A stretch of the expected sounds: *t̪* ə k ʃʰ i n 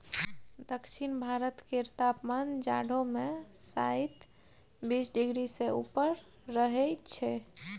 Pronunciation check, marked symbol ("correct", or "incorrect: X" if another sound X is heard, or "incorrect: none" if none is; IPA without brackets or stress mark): incorrect: d̪